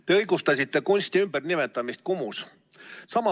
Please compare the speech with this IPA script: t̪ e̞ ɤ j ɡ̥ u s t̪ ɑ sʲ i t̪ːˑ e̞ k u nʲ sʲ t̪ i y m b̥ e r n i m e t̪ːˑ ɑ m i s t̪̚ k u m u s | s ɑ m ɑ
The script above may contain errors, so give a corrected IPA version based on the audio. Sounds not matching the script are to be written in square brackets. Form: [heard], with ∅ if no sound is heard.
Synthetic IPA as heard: t̪ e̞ ɤ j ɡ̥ u s t̪ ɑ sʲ i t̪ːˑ e̞ k u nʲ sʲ t̪ i y m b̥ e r n i m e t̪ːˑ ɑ m i s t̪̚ k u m u s | s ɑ m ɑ